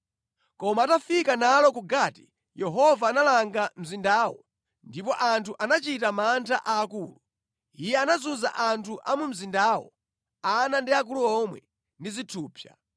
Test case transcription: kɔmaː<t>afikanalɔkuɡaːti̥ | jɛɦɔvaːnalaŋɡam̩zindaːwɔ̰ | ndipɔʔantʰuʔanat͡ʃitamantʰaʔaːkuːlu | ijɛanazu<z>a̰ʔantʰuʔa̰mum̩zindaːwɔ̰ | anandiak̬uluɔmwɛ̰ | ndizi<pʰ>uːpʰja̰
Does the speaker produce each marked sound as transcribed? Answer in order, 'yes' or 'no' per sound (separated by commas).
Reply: yes, yes, no